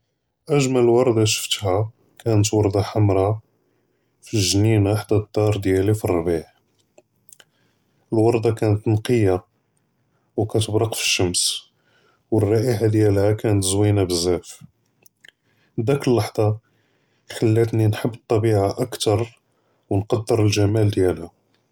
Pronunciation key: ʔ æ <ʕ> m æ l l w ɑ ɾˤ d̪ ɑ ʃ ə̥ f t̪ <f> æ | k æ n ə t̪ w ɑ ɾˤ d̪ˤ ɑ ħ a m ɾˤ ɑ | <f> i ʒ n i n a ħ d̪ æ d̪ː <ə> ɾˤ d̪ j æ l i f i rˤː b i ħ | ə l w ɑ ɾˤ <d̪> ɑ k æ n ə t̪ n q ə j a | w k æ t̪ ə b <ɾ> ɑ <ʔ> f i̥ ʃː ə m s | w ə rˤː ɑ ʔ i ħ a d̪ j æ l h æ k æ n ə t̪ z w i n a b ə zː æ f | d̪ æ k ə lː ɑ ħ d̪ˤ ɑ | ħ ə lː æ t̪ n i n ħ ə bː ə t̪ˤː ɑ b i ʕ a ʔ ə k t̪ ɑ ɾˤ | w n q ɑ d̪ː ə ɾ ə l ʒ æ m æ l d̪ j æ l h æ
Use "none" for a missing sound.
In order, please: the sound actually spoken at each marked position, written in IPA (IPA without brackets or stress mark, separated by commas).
ʒ, h, f, ɑ, d̪, ɾ, q